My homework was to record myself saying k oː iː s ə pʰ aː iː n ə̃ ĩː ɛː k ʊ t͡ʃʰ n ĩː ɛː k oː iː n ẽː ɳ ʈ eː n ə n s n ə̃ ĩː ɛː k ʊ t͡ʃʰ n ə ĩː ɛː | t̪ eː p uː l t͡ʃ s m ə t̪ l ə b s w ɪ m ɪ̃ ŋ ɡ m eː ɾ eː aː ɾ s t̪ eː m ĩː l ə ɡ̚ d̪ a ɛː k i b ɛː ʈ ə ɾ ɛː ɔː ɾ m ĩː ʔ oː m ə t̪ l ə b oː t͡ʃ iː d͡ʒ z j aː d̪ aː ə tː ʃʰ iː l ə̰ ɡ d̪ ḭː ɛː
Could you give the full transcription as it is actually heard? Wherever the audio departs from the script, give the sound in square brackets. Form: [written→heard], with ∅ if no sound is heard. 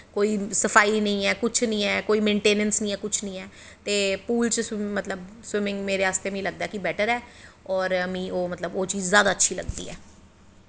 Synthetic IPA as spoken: k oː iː s ə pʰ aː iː n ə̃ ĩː ɛː k ʊ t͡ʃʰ n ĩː ɛː k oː iː [n→m] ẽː ɳ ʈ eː n ə n s n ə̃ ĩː ɛː k ʊ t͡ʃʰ n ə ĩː ɛː | t̪ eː p uː l t͡ʃ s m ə t̪ l ə b s w ɪ m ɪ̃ ŋ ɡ m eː ɾ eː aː [ɾ→∅] s t̪ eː m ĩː l ə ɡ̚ d̪ a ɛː k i b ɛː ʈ ə ɾ ɛː ɔː ɾ m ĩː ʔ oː m ə t̪ l ə b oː t͡ʃ iː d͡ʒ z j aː d̪ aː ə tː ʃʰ iː l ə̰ ɡ d̪ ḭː ɛː